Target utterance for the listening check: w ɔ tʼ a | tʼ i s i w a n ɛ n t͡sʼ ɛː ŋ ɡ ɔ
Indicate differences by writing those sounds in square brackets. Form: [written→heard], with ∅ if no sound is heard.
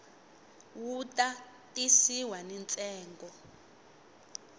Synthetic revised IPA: w [ɔ→u] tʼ a | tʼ i s i w a n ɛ n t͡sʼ ɛː ŋ ɡ ɔ